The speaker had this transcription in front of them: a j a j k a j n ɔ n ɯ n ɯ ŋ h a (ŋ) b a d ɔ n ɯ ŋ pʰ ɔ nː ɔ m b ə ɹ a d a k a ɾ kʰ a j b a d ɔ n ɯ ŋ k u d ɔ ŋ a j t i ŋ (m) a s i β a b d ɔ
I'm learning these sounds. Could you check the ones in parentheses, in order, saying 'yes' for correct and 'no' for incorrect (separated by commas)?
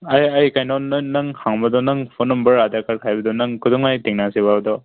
yes, no